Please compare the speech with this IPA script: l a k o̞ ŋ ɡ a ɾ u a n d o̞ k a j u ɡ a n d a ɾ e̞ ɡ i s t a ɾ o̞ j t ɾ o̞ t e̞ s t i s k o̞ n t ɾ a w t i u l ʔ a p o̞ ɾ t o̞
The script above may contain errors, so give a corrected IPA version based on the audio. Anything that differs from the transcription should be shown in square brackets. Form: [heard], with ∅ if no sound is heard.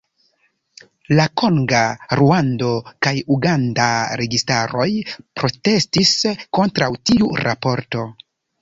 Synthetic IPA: l a k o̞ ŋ ɡ a ɾ u a n d o̞ k a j u ɡ a n d a ɾ e̞ ɡ i s t a ɾ o̞ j [p] ɾ o̞ t e̞ s t i s k o̞ n t ɾ a w t i u [ɾ] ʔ a p o̞ ɾ t o̞